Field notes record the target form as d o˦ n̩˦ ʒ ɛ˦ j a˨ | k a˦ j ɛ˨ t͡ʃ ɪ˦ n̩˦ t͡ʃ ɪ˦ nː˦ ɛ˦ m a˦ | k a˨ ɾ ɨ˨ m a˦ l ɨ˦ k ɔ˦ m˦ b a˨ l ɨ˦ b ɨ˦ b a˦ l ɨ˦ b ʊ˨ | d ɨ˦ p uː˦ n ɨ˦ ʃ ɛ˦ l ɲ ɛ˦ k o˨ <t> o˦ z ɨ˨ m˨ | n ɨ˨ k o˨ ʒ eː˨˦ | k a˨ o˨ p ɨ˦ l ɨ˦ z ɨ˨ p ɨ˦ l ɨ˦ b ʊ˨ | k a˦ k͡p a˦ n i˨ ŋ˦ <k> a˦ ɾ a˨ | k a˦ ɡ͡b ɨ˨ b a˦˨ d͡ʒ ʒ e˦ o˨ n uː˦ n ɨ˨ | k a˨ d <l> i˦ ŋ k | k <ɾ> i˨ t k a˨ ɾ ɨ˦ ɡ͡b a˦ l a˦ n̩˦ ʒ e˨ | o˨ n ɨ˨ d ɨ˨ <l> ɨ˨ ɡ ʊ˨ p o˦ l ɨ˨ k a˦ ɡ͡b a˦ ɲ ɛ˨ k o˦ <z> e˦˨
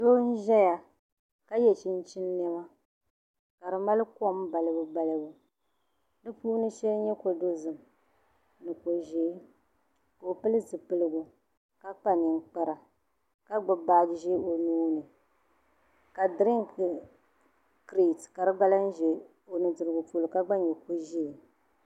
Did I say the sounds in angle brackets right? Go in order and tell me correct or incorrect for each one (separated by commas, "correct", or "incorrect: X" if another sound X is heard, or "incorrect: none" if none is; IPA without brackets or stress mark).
incorrect: d, incorrect: k͡p, incorrect: ɾ, correct, incorrect: ɾ, incorrect: ʒ